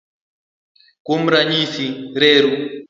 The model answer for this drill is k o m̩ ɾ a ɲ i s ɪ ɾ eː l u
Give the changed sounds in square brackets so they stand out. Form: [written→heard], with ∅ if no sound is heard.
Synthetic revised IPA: k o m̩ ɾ a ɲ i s [ɪ→i] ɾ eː [l→ɾ] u